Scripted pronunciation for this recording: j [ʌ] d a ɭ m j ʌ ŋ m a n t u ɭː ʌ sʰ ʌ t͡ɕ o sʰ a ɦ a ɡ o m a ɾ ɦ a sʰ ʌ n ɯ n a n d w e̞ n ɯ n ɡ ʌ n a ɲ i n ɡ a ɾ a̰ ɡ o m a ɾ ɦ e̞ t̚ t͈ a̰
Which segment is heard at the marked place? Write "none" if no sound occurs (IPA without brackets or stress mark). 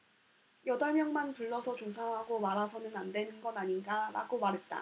ʌ